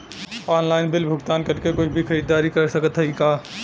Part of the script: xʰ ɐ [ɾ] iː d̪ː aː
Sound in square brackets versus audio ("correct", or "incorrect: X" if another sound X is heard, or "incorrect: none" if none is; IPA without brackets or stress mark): correct